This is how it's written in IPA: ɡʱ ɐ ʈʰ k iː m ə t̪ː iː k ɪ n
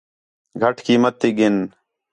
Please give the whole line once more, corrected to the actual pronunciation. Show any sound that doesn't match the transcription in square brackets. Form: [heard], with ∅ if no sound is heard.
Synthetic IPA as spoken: ɡʱ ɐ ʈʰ k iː m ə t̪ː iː [ɡ] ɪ n